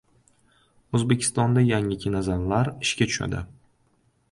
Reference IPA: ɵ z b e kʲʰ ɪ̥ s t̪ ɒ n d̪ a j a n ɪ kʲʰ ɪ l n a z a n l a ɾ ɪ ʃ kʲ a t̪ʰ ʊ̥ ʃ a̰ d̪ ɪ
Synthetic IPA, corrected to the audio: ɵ z b e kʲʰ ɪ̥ s t̪ ɒ n d̪ a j a ŋ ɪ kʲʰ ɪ n a z a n l a ɾ ɪ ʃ kʲ a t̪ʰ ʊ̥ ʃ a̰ d̪ ɪ